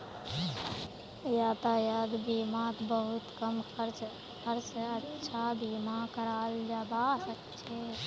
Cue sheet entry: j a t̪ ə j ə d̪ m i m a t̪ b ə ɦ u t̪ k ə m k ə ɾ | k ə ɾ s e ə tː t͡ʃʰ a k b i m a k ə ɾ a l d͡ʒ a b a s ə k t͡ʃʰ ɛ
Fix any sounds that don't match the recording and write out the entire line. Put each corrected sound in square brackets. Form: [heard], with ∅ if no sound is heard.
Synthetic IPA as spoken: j a t̪ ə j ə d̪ [b] i m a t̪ b ə ɦ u t̪ k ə m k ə ɾ | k ə ɾ s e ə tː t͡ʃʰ a [∅] b i m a k ə ɾ a l d͡ʒ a b a s ə k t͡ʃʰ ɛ